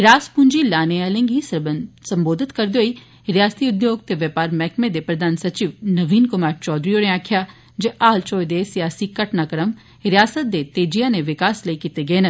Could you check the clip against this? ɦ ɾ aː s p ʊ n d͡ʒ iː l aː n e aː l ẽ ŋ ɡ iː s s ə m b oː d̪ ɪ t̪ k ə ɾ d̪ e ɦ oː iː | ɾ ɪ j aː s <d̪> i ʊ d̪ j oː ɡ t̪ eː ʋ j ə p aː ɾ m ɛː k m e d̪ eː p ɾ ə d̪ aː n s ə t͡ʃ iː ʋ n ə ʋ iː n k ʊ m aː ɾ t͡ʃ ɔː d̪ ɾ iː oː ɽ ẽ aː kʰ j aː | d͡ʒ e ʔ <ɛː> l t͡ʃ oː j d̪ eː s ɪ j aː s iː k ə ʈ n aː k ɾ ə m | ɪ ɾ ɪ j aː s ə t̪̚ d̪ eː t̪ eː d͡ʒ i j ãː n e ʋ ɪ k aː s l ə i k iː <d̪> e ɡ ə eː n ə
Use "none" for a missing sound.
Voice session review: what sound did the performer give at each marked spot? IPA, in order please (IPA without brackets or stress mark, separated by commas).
t̪, aː, t̪